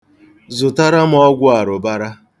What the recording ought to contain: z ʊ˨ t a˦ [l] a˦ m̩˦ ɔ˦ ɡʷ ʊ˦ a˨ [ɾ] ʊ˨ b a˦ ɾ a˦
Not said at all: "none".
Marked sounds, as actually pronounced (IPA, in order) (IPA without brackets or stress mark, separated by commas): ɾ, ɾ